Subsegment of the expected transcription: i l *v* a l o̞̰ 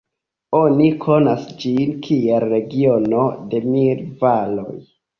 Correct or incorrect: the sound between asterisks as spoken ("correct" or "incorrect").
correct